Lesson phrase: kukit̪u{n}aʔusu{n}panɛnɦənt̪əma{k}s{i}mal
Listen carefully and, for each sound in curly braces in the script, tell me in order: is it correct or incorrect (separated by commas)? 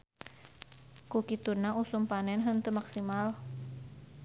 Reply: correct, incorrect, correct, correct